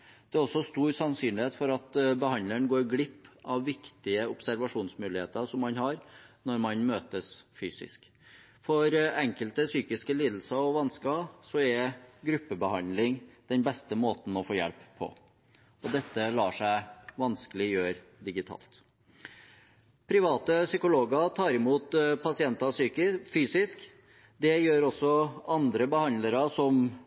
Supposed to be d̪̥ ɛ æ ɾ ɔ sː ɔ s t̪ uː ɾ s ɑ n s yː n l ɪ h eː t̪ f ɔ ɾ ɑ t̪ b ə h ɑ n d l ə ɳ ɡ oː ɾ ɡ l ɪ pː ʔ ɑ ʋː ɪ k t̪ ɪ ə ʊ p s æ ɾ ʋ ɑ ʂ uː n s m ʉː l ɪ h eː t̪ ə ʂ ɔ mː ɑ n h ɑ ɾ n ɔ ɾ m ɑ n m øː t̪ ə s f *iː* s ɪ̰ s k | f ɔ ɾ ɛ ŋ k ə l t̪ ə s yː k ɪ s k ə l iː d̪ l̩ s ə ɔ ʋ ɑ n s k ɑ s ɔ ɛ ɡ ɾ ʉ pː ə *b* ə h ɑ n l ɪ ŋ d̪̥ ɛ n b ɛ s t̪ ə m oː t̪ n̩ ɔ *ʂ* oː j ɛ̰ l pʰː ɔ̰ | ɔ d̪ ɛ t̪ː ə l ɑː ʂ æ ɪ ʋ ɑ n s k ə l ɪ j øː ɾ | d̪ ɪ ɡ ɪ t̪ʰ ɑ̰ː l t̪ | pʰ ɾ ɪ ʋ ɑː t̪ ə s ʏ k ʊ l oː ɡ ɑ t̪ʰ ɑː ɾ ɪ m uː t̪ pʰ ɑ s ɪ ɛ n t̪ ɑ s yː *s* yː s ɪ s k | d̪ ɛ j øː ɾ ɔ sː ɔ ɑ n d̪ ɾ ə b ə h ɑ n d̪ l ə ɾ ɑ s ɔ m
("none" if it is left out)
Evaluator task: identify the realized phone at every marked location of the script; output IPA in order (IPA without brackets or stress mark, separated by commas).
yː, b, f, f